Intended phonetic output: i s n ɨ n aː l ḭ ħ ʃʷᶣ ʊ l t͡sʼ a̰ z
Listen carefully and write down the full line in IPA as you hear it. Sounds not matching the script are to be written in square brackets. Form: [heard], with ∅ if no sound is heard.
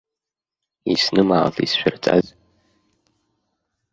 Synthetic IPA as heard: i s n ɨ [m] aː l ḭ [s] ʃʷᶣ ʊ [r] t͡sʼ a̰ z